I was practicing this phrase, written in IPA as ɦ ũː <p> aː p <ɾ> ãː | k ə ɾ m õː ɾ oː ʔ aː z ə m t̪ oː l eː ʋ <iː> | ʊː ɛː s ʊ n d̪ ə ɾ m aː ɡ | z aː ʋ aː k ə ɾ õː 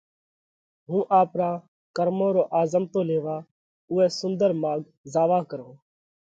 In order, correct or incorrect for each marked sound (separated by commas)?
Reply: incorrect, correct, incorrect